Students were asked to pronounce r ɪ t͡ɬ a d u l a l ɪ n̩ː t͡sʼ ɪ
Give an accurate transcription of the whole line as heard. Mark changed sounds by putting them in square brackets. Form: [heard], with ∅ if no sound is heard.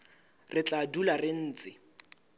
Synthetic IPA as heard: r ɪ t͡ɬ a d u l a [r] ɪ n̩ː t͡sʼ ɪ